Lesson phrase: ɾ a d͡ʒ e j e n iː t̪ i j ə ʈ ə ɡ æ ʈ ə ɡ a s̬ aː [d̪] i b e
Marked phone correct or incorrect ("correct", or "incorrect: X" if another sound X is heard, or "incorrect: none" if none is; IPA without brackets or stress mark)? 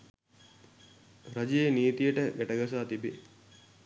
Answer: incorrect: t̪